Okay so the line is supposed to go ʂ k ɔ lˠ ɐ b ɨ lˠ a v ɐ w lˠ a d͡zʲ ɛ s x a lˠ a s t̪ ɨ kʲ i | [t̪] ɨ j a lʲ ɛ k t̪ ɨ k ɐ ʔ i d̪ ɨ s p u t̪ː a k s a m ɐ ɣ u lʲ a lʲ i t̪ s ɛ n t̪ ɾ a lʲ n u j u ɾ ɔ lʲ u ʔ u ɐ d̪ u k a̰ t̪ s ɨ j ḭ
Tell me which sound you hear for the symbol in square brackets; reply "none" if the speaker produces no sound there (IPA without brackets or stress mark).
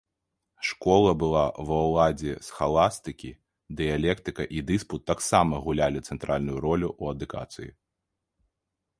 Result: d̪